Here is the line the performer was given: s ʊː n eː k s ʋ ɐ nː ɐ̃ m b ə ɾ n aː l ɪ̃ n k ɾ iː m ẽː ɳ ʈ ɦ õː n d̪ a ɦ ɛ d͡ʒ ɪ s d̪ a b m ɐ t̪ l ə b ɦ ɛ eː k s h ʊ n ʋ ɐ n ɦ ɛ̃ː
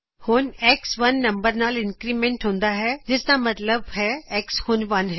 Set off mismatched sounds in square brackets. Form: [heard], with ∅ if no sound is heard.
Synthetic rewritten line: [h] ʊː n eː k s ʋ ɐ nː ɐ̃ m b ə ɾ n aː l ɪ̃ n k ɾ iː m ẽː ɳ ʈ ɦ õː n d̪ a ɦ ɛ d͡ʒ ɪ s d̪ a [∅] m ɐ t̪ l ə b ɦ ɛ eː k s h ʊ n ʋ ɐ n ɦ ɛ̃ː